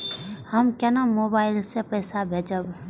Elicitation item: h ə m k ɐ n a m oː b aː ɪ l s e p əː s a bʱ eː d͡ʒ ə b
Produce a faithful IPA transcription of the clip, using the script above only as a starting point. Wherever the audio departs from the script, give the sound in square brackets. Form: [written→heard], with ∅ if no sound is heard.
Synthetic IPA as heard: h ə m k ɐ n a m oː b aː ɪ l s e p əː s a bʱ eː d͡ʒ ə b

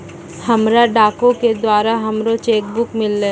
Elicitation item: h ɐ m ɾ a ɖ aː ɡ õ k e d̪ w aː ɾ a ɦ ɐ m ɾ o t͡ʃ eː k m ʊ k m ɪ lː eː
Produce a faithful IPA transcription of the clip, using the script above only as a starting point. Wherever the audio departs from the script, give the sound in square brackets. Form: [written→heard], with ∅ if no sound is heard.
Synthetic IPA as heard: h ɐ m ɾ a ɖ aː [ɡ→k] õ k e d̪ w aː ɾ a ɦ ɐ m ɾ o t͡ʃ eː k [m→b] ʊ k m ɪ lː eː

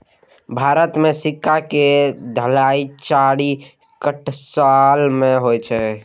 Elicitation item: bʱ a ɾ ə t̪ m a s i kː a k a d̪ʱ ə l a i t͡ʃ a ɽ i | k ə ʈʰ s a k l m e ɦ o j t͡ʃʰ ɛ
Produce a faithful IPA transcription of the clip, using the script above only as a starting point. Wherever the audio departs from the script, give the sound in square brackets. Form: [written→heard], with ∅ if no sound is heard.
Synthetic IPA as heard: bʱ a ɾ ə t̪ m [a→e] s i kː a k [a→e] d̪ʱ ə l a i t͡ʃ a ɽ i | k ə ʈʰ s a [k→∅] l m e ɦ o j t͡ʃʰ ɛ

